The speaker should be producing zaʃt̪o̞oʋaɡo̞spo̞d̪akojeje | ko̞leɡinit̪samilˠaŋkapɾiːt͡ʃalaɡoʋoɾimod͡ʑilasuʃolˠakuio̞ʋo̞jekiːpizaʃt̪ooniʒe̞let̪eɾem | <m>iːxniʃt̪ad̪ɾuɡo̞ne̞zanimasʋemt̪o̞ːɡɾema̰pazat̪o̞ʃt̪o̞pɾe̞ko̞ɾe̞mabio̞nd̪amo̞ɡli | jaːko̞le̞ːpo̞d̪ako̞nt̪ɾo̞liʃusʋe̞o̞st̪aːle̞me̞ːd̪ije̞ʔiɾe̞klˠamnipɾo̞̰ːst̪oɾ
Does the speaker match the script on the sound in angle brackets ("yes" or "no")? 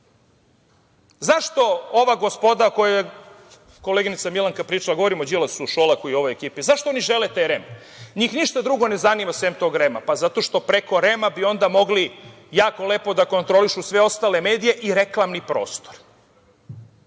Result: no